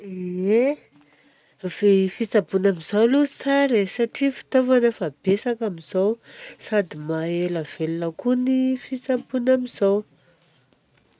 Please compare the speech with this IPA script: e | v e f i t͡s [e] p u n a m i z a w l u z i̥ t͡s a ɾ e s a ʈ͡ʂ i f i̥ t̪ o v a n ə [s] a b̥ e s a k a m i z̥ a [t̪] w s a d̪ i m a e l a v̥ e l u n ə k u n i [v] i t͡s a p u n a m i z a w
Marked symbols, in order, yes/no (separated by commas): no, no, no, no